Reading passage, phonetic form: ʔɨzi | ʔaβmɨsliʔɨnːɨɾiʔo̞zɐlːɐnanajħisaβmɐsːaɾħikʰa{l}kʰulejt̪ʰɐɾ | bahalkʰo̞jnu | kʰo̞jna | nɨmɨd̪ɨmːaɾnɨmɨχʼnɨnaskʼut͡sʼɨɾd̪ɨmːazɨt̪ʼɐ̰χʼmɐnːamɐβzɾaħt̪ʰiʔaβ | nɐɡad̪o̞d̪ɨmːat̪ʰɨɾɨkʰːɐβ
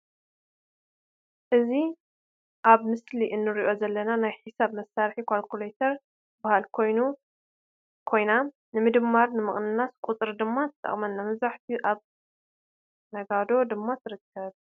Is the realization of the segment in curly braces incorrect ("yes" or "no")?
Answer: no